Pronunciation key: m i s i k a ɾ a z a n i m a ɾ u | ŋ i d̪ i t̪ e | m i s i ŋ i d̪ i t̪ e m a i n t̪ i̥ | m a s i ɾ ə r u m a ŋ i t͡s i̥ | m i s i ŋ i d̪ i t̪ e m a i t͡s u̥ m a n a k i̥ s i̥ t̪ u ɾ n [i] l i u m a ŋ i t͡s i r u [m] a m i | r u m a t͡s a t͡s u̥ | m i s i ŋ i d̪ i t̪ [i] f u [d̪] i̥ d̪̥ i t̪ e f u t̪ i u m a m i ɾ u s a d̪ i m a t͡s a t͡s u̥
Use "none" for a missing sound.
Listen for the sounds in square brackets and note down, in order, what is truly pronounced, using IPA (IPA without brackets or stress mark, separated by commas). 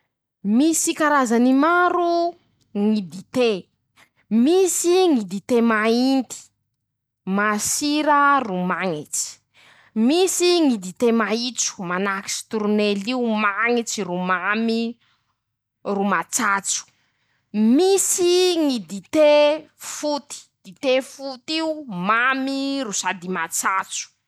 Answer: e, m, e, t̪